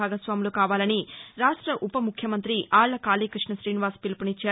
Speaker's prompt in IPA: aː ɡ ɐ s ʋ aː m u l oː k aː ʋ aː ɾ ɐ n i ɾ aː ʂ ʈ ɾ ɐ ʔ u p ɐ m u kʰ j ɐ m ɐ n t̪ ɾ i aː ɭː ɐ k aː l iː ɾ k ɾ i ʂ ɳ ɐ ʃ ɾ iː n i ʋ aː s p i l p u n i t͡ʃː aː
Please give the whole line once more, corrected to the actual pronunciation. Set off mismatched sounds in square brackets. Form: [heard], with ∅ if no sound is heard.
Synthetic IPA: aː ɡ ɐ s ʋ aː m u l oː k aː ʋ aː [l] ɐ n i ɾ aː ʂ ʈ ɾ ɐ ʔ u p ɐ m u kʰ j ɐ m ɐ n t̪ ɾ i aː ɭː ɐ k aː l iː [∅] k ɾ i ʂ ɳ ɐ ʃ ɾ iː n i ʋ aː s p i l p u n i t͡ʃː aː